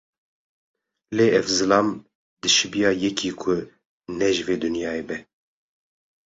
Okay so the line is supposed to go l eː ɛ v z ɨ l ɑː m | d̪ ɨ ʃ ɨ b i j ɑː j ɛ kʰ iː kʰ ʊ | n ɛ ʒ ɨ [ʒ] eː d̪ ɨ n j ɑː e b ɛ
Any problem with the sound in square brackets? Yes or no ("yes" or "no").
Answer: yes